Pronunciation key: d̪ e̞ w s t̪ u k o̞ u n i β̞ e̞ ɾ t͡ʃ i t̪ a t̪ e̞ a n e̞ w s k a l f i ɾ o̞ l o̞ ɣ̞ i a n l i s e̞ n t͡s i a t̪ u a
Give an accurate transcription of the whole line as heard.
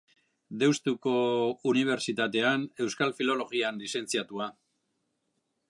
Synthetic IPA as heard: d̪ e̞ w s t̪ u k o̞ u n i β̞ e̞ ɾ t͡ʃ i t̪ a t̪ e̞ a n e̞ w s k a l f i l o̞ l o̞ ɣ̞ i a n l i s e̞ n t͡s i a t̪ u a